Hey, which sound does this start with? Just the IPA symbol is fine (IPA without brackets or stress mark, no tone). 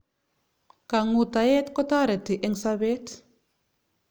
k